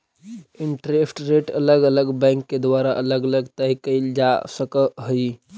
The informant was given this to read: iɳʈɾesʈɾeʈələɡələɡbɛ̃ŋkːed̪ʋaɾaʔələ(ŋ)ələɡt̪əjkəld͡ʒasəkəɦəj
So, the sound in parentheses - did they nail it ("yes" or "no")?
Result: no